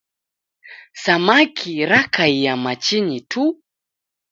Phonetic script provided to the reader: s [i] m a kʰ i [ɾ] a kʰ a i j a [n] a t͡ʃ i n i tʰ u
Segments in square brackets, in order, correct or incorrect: incorrect, correct, incorrect

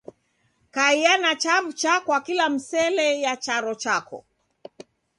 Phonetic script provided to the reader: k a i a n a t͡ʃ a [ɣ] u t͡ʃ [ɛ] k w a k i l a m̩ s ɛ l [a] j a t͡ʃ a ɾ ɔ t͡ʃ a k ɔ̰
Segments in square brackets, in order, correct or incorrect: incorrect, incorrect, incorrect

